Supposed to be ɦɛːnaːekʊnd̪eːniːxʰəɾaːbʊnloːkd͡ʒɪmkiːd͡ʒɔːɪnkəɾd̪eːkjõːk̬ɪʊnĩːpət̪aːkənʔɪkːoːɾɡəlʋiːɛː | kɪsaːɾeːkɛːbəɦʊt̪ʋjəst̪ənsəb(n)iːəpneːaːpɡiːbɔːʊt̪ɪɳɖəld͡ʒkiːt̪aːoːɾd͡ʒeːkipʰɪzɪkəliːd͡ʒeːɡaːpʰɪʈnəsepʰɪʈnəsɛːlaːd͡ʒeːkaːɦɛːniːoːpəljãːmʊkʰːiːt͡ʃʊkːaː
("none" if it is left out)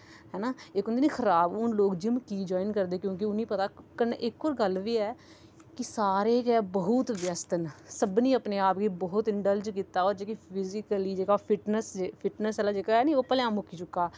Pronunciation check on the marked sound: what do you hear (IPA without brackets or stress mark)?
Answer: n